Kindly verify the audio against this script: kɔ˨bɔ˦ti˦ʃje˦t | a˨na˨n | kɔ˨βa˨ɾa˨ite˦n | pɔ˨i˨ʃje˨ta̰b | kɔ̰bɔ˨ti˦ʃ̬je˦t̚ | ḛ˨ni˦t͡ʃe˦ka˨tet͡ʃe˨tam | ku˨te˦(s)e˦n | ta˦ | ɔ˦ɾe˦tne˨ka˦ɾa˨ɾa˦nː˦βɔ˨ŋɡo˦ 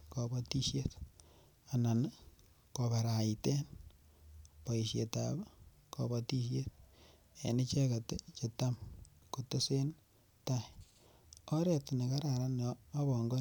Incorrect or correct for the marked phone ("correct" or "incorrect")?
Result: correct